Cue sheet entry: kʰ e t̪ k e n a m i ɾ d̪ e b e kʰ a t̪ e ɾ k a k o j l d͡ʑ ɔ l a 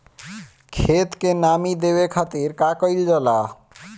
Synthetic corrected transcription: kʰ e t̪ k e n a m i d̪ e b e kʰ a t̪ i ɾ k a k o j l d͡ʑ ɔ l a